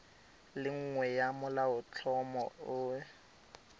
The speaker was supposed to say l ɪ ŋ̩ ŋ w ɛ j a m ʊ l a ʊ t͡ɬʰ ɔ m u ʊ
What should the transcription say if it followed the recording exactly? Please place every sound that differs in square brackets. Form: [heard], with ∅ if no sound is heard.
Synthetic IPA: l ɪ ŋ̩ ŋ w ɛ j a m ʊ l a ʊ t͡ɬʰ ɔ m [ɔ] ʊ